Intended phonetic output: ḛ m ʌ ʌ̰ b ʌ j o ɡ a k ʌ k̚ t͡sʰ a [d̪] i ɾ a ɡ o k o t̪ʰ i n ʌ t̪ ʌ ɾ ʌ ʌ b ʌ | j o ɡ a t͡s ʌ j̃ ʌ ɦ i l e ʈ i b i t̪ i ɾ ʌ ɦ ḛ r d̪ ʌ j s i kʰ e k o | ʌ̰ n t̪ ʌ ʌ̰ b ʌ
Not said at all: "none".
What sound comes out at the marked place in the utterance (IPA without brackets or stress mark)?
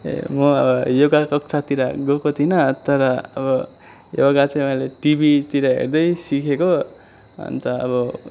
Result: t̪